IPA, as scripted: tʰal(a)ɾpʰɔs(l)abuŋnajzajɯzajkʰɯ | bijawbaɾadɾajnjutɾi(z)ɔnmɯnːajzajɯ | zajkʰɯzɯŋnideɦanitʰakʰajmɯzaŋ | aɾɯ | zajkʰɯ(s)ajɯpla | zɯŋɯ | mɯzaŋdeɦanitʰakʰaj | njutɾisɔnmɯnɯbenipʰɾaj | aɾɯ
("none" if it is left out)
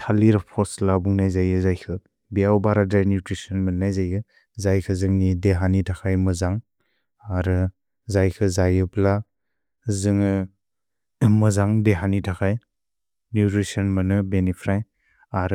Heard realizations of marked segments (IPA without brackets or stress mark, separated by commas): i, l, s, z